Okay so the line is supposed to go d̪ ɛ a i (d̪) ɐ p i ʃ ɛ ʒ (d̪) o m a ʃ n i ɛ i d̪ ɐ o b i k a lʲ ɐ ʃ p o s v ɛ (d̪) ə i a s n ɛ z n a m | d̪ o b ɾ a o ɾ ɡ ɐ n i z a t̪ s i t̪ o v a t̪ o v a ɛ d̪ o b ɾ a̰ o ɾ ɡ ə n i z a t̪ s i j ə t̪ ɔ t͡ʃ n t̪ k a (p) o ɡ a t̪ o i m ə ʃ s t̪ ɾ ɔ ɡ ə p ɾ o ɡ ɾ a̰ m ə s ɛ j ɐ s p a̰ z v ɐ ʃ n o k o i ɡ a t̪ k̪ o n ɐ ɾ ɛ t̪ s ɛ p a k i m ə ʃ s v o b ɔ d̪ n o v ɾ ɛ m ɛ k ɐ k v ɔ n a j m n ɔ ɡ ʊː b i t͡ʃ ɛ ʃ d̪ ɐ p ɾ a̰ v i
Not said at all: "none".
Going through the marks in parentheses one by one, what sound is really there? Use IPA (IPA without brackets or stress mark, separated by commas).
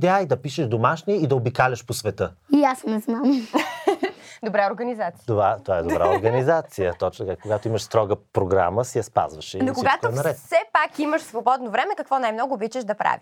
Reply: d̪, d̪, t̪, k